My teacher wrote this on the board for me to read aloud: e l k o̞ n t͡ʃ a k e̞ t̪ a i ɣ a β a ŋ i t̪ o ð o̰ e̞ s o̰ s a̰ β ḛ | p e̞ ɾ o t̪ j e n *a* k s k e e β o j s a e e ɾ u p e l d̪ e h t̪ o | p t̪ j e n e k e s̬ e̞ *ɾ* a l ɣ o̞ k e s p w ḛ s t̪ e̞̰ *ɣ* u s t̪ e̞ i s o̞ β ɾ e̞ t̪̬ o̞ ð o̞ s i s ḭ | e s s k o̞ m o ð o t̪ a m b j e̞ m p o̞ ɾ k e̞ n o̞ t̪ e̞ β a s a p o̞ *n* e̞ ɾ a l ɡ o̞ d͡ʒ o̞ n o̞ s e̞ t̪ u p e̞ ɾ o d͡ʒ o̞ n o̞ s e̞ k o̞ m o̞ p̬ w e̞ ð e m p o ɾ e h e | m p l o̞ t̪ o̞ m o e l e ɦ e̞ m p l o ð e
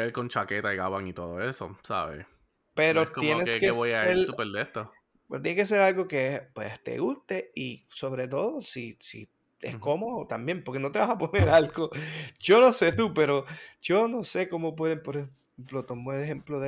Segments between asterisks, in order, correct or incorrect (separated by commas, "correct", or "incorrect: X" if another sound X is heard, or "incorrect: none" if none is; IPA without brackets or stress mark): incorrect: e, correct, correct, correct